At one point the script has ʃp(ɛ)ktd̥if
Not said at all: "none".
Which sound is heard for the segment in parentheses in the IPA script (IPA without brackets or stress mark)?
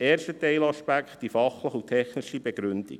æ